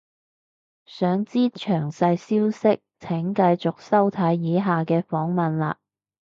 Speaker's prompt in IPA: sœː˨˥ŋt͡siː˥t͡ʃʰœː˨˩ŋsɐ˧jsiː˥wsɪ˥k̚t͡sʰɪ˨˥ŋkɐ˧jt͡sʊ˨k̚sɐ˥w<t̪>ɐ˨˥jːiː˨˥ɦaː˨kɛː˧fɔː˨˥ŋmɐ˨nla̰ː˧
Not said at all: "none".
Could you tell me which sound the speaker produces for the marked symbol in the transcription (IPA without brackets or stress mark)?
t̪ʰ